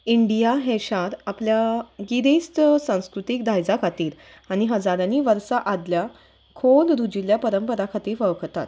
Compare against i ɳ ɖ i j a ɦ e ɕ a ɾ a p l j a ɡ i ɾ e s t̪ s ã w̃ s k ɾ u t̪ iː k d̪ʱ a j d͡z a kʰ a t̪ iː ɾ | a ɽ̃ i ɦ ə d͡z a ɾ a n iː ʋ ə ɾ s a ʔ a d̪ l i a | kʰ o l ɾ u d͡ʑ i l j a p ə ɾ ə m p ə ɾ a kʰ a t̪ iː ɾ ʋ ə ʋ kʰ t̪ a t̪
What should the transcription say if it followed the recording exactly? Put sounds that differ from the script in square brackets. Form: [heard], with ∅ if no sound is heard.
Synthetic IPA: i ɳ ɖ i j a ɦ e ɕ a ɾ a p l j a ɡ i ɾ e s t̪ s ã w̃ s k ɾ u t̪ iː k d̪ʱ a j d͡z a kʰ a t̪ iː ɾ | a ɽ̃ i ɦ ə d͡z a ɾ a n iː ʋ ə ɾ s a ʔ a d̪ l [j] a | kʰ o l ɾ u d͡ʑ i l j a p ə ɾ ə m p ə ɾ a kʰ a t̪ iː ɾ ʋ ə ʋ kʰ t̪ a t̪